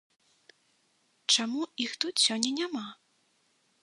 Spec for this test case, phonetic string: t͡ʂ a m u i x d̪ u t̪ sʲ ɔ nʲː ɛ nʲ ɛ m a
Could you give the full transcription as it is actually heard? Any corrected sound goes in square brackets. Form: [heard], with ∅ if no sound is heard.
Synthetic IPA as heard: t͡ʂ a m u i x [t̪] u t̪ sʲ ɔ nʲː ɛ nʲ [a] m a